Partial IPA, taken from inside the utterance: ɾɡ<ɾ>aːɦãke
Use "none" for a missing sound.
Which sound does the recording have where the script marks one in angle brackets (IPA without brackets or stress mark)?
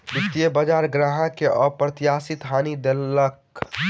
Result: ɾ